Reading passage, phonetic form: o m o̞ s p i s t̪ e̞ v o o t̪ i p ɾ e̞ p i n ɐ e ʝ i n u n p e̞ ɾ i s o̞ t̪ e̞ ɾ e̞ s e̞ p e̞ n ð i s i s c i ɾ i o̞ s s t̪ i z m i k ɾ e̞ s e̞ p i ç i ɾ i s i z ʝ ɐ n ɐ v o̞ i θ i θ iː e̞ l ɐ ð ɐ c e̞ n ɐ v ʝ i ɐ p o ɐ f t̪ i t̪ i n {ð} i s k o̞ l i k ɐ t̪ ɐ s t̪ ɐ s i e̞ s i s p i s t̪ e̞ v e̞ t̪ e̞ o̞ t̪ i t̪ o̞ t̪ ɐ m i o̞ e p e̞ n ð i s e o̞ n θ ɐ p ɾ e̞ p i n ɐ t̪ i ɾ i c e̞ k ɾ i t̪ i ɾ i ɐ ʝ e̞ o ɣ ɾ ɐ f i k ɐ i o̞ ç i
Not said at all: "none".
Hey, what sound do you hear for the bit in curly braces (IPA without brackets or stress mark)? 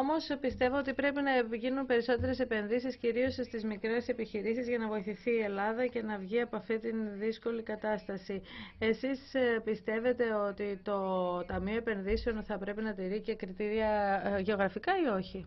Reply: ð